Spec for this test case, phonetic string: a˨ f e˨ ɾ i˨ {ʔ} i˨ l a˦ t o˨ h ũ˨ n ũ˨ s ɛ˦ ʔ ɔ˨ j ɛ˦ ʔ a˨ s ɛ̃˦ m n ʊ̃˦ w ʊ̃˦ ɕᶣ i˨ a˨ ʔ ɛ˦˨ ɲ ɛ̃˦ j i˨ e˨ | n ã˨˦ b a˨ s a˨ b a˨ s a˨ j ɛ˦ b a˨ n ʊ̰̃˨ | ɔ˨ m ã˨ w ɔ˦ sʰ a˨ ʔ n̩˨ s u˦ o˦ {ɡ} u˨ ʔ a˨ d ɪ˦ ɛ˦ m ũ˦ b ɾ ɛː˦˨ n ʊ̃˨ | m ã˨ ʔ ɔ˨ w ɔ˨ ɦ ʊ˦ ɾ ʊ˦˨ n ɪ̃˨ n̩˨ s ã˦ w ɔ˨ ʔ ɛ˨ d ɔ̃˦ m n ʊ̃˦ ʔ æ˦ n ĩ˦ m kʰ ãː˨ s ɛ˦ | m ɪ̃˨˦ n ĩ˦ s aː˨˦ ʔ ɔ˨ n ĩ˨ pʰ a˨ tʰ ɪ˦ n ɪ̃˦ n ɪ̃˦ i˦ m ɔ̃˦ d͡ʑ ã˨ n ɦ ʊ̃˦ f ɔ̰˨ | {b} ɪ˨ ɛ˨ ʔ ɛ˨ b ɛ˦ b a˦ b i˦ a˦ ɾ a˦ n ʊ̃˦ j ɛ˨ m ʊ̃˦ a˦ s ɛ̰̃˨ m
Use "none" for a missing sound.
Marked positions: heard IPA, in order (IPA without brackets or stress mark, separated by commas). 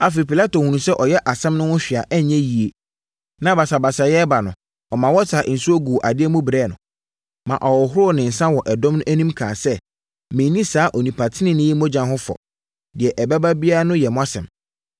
p, ɡ, d